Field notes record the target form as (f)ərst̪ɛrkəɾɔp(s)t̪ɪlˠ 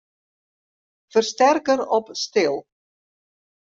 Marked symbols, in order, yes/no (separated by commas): yes, yes